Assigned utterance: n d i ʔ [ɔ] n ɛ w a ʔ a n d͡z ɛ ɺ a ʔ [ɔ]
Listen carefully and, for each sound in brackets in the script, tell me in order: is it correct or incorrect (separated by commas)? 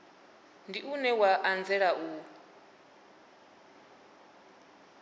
incorrect, incorrect